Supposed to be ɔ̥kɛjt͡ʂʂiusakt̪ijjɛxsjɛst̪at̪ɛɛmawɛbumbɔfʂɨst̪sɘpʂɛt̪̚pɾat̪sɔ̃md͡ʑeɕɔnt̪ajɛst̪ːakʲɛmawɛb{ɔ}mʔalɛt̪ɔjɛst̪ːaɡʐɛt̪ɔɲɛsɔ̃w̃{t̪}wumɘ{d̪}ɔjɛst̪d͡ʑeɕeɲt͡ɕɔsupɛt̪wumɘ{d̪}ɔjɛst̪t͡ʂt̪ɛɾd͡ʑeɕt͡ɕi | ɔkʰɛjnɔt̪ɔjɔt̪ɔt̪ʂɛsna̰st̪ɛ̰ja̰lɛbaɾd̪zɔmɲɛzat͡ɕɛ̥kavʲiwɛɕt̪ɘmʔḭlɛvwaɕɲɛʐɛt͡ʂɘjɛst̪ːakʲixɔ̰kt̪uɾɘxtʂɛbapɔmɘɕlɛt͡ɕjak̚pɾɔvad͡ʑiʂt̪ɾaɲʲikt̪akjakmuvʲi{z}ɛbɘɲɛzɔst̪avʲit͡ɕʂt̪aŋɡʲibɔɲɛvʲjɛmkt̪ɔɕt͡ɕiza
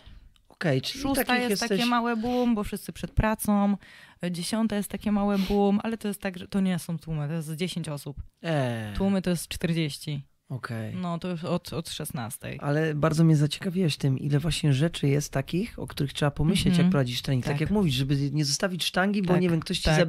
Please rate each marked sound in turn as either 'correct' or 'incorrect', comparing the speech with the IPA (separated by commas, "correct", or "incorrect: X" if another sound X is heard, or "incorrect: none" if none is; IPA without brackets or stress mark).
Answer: incorrect: u, correct, incorrect: t̪, incorrect: t̪, incorrect: ʐ